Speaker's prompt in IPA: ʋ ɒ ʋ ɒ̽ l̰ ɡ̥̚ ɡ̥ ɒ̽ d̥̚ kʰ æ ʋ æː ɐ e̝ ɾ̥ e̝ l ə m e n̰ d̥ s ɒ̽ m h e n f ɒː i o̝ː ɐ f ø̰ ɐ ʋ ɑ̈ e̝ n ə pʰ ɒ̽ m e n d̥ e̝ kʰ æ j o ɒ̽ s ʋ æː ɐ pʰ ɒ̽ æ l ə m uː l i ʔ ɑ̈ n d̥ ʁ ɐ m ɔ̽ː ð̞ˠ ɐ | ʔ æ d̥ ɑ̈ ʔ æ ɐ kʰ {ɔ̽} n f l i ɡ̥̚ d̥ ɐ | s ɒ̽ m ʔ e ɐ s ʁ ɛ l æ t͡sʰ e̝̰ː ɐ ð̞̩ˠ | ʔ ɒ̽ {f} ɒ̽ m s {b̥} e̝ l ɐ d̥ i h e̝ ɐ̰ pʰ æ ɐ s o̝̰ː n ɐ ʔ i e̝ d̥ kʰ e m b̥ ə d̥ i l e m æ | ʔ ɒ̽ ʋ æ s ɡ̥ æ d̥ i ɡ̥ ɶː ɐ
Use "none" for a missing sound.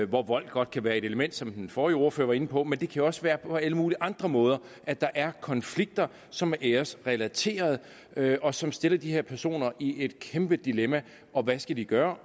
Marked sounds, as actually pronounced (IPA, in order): ɒ̽, s, d̥

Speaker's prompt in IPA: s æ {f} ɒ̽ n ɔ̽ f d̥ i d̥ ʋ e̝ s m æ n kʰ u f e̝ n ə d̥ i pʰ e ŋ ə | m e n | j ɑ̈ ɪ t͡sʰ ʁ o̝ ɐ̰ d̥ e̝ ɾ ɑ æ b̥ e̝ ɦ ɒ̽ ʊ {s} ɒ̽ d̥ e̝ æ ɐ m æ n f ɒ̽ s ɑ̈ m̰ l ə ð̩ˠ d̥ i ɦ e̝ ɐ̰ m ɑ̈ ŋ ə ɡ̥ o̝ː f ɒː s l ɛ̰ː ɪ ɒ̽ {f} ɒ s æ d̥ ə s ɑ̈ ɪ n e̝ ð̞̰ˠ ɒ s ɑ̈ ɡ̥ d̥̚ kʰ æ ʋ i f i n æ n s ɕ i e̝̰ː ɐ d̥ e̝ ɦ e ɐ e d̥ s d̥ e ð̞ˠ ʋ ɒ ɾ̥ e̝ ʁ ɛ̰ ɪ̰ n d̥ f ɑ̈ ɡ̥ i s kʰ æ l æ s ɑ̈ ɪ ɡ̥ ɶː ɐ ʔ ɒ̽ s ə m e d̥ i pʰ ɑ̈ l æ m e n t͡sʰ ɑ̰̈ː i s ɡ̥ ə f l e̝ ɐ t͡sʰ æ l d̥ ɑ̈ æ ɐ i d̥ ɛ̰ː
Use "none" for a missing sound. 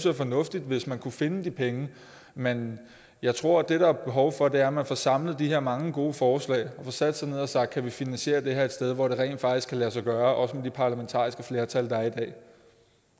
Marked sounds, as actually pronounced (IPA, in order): f, f, f

